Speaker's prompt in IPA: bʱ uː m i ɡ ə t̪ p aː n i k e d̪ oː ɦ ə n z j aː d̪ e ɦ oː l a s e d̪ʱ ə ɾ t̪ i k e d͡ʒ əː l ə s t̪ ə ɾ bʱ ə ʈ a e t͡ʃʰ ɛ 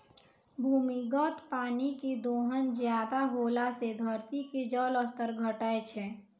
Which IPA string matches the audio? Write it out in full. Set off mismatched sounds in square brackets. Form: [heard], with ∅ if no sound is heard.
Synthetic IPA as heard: bʱ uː m i ɡ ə t̪ p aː n i k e d̪ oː ɦ ə n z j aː d̪ [a] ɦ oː l a s e d̪ʱ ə ɾ t̪ i k e d͡ʒ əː l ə s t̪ ə ɾ [ɡʱ] ə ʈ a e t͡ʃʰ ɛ